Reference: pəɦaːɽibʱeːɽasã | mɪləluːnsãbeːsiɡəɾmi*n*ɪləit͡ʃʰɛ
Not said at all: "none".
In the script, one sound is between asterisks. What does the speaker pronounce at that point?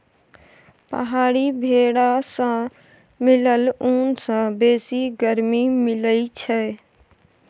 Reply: m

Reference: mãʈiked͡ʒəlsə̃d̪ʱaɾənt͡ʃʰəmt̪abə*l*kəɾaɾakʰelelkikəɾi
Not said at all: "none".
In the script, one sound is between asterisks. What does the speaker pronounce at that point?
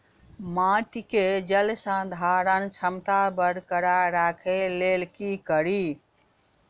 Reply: ɾ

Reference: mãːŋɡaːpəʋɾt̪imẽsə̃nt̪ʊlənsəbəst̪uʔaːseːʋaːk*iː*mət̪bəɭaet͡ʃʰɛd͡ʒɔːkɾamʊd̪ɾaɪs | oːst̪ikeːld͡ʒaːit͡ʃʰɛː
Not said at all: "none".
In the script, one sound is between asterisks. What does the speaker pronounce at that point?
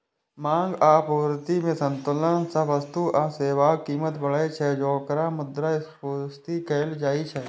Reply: iː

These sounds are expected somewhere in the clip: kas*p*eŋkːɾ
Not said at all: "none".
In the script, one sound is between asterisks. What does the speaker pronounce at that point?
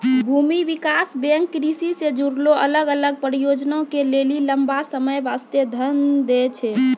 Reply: b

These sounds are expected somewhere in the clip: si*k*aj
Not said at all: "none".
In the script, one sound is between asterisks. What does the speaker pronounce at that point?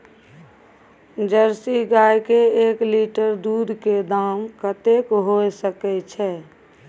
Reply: ɡ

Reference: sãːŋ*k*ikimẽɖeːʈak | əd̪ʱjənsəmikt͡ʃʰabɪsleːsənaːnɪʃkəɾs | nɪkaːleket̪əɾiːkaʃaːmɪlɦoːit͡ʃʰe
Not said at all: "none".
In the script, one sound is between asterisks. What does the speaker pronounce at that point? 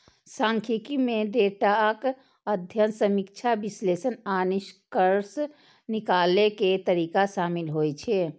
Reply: kʰ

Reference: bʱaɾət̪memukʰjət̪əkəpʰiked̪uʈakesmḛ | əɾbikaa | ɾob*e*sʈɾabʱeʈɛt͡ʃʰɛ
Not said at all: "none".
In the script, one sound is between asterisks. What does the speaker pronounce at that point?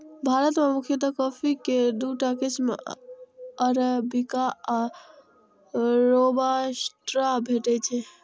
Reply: a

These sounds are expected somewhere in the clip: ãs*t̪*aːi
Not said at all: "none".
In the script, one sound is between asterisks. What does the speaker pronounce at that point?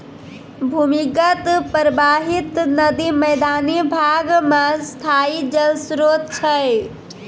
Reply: t̪ʰ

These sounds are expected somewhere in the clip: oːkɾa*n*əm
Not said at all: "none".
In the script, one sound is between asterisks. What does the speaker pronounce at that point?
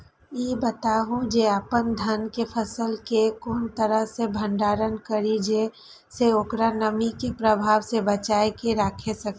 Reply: n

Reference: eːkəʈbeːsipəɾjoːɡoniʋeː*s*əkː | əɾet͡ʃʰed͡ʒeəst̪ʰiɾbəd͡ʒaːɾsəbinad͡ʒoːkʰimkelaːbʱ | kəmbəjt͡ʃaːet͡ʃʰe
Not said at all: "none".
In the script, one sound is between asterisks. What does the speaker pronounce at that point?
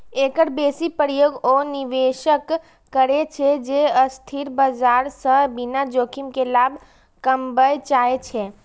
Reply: ʃ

